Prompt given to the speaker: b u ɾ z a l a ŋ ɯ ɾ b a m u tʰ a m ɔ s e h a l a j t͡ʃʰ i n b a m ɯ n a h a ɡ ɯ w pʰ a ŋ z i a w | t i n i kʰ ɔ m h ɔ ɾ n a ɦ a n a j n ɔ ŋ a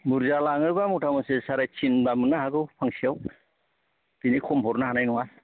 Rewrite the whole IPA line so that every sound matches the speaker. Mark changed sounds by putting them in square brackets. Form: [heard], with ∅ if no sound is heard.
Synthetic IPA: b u ɾ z a l a ŋ ɯ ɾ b a m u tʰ a m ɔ s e [s] a [ɾ] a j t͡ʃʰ i n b a m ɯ n a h a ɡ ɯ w pʰ a ŋ [s] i a w | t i n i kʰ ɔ m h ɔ ɾ n a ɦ a n a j n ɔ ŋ a